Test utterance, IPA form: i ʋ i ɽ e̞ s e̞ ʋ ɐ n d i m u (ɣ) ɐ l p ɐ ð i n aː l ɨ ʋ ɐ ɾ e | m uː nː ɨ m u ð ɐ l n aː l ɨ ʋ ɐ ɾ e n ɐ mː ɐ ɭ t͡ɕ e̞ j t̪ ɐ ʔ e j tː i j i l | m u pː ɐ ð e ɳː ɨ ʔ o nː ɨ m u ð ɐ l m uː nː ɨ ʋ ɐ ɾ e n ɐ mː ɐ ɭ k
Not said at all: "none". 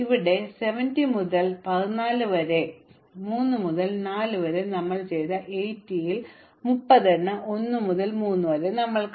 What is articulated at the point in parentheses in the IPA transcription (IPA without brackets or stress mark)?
ð